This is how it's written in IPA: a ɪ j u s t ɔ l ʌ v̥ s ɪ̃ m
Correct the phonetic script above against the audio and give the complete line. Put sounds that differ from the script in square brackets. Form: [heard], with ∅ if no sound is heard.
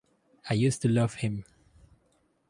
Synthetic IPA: a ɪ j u s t [u] l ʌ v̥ [h] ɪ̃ m